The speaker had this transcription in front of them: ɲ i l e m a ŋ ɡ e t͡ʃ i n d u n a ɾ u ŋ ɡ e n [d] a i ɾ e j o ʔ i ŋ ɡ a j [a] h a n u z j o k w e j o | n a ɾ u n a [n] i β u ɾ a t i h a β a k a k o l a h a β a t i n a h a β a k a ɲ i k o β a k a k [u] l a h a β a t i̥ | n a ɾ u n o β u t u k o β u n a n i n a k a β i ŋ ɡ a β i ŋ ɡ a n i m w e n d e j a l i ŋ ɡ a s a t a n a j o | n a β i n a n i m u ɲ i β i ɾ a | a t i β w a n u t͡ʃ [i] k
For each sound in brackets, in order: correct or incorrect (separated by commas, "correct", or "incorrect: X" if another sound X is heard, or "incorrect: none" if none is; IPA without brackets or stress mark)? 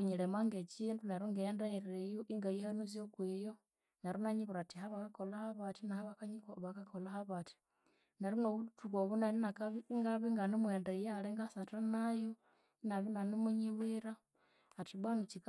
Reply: correct, incorrect: i, incorrect: ɲ, incorrect: o, correct